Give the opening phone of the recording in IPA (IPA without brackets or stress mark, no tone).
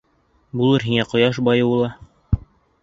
b